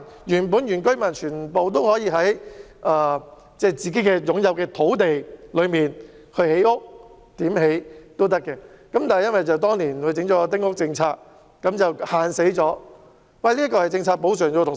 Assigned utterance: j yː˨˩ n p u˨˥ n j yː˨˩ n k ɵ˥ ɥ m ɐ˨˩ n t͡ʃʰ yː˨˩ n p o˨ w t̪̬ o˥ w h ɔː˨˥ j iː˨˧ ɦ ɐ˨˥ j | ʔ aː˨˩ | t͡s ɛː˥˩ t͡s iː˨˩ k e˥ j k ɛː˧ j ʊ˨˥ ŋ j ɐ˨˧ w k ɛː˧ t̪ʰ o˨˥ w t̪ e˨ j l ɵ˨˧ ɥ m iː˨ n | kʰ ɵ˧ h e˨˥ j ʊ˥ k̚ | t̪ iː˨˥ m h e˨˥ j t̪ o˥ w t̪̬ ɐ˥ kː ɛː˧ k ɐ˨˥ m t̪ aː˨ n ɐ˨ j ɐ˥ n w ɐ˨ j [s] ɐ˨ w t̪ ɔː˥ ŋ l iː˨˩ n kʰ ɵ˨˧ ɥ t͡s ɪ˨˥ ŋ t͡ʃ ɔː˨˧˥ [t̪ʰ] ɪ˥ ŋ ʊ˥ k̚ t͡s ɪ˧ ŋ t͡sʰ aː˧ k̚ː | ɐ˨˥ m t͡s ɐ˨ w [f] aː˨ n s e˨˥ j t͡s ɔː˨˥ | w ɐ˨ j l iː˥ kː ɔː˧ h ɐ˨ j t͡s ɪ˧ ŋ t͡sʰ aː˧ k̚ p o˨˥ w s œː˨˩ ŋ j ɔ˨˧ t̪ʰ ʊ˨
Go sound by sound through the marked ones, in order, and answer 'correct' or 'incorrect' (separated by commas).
incorrect, incorrect, incorrect